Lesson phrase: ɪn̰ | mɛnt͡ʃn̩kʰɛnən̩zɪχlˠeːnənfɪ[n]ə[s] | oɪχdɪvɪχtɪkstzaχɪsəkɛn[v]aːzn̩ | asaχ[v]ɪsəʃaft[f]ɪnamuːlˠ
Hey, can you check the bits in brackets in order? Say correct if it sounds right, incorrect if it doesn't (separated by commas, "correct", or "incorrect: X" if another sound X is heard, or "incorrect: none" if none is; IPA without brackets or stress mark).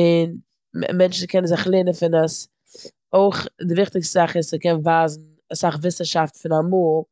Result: correct, correct, correct, correct, correct